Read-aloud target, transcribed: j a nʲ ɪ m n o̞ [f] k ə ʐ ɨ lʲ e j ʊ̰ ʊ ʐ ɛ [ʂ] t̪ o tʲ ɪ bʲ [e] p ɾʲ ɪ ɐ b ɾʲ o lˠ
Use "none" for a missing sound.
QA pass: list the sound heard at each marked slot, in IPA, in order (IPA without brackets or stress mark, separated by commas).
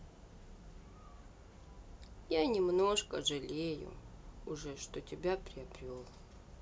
ʂ, ʂ, a